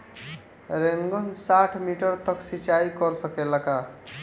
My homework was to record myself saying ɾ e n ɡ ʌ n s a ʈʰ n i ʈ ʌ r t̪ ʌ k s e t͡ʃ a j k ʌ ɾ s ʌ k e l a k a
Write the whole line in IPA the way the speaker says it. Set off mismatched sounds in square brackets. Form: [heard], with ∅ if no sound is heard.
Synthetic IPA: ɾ e [ŋ] ɡ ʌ n s a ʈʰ [m] i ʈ ʌ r t̪ ʌ k s [i] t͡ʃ a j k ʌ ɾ s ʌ k e l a k a